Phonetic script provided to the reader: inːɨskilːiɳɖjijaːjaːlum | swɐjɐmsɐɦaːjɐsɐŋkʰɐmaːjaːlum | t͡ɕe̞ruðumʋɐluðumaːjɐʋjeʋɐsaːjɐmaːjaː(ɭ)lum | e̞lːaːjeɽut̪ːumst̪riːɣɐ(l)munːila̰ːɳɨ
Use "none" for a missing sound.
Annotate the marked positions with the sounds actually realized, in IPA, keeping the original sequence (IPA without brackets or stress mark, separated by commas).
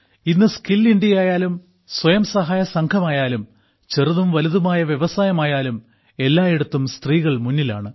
none, ɭ